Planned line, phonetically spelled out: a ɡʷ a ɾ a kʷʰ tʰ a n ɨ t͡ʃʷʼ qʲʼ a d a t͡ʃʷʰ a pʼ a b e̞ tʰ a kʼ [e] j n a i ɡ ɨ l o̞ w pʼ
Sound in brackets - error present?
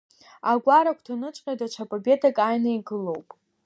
yes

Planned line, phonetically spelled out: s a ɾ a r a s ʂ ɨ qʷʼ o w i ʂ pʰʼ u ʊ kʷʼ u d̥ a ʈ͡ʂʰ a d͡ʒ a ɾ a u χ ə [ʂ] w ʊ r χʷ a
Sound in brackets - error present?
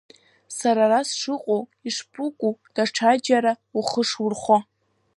no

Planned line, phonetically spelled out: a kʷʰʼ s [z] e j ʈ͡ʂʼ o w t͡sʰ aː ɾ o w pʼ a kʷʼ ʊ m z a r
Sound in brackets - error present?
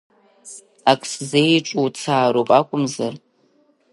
no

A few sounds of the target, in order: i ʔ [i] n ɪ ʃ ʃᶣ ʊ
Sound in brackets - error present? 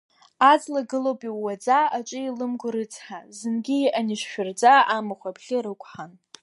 yes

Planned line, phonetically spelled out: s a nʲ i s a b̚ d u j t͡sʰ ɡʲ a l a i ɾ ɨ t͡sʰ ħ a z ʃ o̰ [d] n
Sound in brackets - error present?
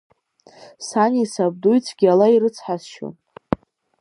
yes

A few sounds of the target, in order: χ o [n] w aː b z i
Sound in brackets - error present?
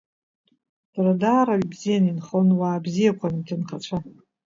no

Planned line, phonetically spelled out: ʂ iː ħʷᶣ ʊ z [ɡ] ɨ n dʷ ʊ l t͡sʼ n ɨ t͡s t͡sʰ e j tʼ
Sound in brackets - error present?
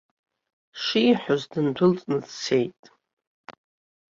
yes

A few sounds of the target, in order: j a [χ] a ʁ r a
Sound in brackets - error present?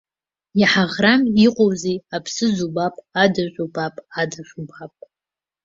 yes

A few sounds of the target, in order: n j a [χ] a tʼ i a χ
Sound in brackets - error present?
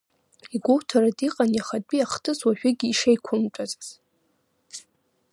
no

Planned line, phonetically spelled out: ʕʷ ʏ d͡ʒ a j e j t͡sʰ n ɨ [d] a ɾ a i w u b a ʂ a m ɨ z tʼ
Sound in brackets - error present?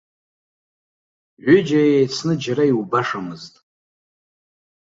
yes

